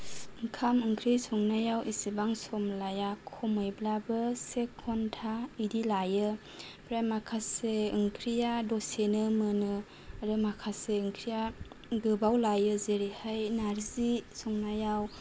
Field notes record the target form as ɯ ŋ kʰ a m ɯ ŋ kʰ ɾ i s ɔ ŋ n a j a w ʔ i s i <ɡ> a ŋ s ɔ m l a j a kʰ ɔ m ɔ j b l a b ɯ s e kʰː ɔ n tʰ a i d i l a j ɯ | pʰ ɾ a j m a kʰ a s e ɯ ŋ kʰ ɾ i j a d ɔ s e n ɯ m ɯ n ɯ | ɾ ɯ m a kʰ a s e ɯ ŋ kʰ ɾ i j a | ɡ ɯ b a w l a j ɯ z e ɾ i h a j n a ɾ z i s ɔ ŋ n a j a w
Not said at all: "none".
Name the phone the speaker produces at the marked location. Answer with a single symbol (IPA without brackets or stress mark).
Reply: b